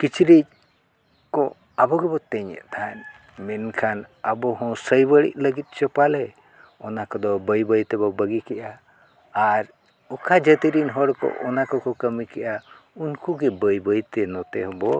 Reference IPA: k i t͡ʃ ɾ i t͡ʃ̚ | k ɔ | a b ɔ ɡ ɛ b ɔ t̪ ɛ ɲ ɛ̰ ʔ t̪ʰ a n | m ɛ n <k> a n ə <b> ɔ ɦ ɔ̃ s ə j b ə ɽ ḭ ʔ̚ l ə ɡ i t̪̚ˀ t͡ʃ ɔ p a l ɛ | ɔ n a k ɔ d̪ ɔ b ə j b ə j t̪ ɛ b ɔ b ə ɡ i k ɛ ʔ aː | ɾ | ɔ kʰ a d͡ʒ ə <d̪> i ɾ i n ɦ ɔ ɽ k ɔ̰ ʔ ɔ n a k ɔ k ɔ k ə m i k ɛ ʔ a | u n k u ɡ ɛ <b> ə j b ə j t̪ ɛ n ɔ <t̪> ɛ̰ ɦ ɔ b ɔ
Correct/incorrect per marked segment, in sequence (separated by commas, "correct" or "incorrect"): incorrect, correct, incorrect, correct, correct